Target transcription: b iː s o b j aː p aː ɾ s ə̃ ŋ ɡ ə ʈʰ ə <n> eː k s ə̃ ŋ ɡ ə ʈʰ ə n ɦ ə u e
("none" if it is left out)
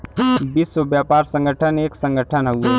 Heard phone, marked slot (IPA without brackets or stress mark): n